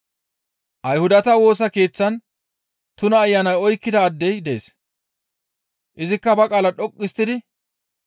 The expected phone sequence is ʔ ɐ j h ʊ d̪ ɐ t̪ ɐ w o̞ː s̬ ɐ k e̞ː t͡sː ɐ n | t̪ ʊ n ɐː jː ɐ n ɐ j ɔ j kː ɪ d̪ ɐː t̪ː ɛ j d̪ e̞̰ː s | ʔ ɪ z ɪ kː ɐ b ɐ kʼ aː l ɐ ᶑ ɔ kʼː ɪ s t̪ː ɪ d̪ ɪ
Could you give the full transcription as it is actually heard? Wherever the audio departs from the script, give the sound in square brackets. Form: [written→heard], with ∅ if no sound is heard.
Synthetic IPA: ʔ ɐ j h ʊ d̪ ɐ t̪ ɐ w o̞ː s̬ ɐ k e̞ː t͡sː ɐ n | t̪ ʊ n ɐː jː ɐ n ɐ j ɔ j kː ɪ d̪ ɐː [t̪ː→d̪ː] ɛ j d̪ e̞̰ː s | ʔ ɪ z ɪ kː ɐ b ɐ kʼ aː l ɐ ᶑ ɔ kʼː ɪ s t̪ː ɪ d̪ ɪ